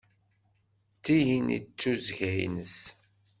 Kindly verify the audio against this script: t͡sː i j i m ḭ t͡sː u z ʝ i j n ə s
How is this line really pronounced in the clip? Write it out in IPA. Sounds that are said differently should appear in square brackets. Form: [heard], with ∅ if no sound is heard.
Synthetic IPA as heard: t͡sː i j i [n] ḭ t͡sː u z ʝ [æ] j n ə s

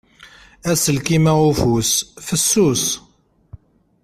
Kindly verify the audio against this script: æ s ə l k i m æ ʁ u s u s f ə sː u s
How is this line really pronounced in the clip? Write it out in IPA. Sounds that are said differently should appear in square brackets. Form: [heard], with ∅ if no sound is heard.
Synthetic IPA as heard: æ s ə l k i m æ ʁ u [f] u s f ə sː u s

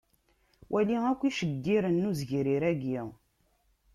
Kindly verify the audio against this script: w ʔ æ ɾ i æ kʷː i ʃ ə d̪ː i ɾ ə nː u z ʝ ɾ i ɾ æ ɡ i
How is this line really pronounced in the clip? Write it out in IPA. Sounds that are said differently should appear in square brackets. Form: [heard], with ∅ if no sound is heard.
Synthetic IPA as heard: w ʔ æ [l] i æ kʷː i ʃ ə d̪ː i ɾ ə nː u z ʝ ɾ i ɾ æ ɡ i

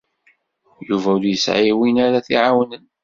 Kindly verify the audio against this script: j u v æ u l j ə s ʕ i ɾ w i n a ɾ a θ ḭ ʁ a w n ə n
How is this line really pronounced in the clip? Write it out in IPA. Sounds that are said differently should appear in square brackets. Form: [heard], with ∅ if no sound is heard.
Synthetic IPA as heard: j u v æ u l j ə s ʕ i [∅] w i n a ɾ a θ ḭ [ʕ] a w n ə n

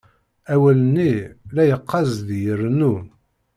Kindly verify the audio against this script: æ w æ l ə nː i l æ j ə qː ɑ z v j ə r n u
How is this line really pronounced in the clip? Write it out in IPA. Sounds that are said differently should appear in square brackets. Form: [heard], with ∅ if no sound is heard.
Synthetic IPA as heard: æ w æ l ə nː i l æ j ə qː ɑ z [ð] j ə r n u

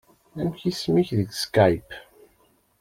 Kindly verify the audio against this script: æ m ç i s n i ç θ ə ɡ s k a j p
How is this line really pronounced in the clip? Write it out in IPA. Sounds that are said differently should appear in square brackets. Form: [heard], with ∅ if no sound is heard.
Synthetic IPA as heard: æ m ç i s [m] i ç [ð] ə ɡ s k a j p

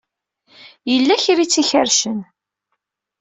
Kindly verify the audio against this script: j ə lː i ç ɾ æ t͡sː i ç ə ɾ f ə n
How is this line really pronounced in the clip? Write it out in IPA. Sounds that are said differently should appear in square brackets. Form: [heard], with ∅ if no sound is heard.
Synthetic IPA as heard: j ə lː [æ] ç ɾ [i] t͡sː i ç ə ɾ [ʃ] ə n

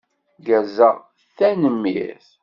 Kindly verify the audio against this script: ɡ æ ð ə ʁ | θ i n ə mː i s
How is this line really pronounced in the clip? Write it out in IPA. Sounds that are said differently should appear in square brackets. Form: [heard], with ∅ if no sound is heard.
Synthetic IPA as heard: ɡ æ [z] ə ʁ | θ [æ] n ə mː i [θ]

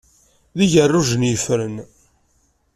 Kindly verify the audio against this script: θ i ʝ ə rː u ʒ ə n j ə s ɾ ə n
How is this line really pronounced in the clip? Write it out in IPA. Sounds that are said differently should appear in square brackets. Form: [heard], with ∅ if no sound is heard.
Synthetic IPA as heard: [ð] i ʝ ə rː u ʒ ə n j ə [f] ɾ ə n

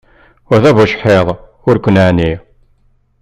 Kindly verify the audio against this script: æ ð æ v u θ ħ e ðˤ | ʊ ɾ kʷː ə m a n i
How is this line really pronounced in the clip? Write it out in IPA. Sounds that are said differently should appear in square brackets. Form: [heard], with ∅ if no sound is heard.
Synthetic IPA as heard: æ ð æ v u [ʃ] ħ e ðˤ | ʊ ɾ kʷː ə [n] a n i

